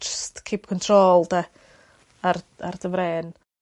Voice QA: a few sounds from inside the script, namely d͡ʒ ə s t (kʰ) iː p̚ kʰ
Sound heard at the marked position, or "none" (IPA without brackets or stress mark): kʰ